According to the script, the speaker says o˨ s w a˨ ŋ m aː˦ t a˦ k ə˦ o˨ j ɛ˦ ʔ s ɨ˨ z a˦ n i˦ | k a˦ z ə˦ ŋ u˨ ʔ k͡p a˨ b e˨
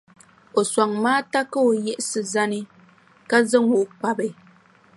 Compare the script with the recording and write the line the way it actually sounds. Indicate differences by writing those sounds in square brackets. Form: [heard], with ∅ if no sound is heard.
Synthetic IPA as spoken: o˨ s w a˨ ŋ m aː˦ t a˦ k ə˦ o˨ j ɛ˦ ʔ s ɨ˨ z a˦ n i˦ | k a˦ z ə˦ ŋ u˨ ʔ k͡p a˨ b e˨